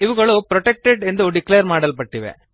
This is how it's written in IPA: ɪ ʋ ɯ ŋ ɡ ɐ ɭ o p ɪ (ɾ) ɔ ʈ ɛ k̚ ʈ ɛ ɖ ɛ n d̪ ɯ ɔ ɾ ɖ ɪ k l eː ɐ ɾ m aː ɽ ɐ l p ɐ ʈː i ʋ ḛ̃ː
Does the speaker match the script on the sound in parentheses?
yes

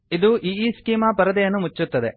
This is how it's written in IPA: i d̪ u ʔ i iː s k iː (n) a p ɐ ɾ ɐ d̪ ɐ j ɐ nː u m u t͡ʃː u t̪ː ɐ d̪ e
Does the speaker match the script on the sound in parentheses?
no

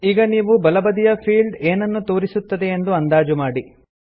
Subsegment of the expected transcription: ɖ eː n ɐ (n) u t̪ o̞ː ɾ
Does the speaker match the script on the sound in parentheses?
no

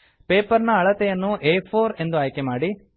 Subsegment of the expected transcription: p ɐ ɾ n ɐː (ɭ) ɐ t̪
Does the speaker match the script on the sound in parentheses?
yes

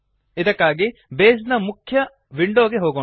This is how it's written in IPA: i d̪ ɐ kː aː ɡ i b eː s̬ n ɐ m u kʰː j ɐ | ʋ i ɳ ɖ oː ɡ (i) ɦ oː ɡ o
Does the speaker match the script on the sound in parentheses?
no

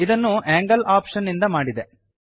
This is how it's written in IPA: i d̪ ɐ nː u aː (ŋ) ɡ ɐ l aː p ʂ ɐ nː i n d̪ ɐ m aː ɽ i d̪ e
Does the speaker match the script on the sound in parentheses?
yes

